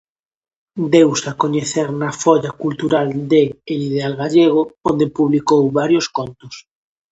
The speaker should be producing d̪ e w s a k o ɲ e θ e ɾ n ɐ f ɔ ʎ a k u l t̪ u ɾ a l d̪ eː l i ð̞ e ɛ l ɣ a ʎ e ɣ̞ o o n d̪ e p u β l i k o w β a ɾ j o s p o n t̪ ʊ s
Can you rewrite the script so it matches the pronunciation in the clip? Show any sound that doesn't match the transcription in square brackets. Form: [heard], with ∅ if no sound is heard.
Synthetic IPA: d̪ e w s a k o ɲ e θ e ɾ n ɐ f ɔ ʎ a k u l t̪ u ɾ a l d̪ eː l i ð̞ e [a] l ɣ a ʎ e ɣ̞ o o n d̪ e p u β l i k o w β a ɾ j o s [k] o n t̪ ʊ s